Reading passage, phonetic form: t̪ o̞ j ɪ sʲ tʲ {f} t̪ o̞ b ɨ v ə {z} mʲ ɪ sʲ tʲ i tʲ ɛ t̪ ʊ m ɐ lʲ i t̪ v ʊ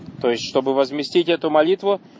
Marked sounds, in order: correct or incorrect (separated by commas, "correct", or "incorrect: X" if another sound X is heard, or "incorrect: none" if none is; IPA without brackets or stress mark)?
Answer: incorrect: ʂ, correct